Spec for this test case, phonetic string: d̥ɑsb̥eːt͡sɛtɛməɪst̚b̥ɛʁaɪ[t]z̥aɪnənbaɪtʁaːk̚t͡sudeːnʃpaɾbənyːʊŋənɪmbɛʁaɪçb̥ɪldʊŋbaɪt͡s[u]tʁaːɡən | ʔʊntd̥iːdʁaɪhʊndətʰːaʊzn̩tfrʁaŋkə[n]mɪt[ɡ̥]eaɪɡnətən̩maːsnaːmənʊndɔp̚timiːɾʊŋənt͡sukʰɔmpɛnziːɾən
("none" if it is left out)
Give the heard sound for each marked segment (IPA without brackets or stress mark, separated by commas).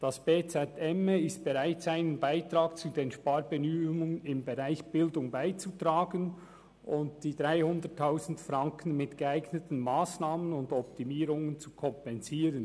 t, u, n, ɡ̥